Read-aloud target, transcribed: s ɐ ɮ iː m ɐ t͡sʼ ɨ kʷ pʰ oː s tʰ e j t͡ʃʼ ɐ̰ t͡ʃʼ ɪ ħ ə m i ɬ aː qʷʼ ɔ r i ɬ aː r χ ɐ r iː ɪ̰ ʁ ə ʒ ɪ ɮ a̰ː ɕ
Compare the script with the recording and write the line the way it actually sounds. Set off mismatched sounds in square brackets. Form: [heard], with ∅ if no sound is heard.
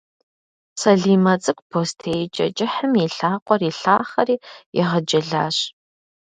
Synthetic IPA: s ɐ ɮ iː m ɐ t͡sʼ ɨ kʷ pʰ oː s tʰ e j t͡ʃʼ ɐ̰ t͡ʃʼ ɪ ħ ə m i ɬ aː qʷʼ ɔ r i ɬ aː [∅] χ ɐ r iː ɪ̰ ʁ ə [d͡ʒ] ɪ ɮ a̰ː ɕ